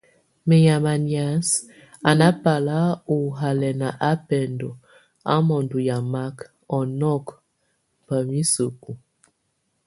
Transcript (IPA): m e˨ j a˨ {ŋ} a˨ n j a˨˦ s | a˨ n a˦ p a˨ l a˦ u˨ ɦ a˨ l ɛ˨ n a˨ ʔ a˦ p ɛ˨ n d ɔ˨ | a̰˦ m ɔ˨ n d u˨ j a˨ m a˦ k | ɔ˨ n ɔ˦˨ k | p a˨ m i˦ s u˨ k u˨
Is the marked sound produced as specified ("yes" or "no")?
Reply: no